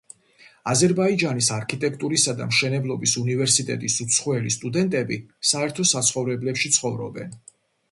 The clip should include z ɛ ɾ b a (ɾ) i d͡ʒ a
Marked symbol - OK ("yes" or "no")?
no